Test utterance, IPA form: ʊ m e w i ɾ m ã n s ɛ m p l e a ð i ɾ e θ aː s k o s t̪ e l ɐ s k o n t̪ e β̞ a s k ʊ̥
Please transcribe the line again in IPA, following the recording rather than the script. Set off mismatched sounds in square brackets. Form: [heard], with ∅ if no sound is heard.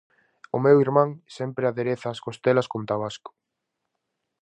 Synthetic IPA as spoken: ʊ m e w i ɾ m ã [ŋ] s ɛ m p [ɾ] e a ð [e] ɾ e θ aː s k o s t̪ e l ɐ s k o n t̪ [a] β̞ a s k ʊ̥